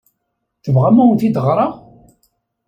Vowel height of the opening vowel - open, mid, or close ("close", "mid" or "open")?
mid